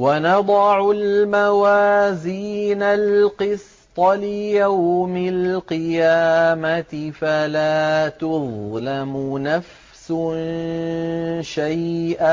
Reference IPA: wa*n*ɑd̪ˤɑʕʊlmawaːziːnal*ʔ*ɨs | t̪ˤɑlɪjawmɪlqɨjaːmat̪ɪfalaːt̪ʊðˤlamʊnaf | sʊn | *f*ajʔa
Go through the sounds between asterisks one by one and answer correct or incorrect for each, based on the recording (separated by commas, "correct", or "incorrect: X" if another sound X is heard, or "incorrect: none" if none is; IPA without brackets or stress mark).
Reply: correct, incorrect: q, incorrect: ʃ